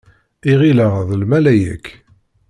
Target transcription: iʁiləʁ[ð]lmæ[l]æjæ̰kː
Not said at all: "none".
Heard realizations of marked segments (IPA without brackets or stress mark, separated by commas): ð, l